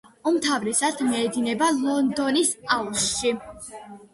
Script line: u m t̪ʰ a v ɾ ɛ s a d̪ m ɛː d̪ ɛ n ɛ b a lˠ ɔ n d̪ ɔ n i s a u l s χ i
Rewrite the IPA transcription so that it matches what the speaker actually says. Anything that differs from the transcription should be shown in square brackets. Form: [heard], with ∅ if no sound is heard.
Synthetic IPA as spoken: u m t̪ʰ a v ɾ ɛ s a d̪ m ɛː d̪ [i] n ɛ b a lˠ ɔ n d̪ ɔ n i s a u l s [ʃ] i